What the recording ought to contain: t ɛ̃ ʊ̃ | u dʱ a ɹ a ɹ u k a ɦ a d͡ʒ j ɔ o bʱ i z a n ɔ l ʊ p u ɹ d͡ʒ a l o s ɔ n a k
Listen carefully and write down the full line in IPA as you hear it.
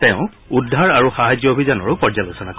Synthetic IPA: t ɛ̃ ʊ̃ | u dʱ a ɹ a ɹ u x a ɦ a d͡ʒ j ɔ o bʱ i z a n ɔ ɹ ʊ p ɔ ɹ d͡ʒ a l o s ɔ n a k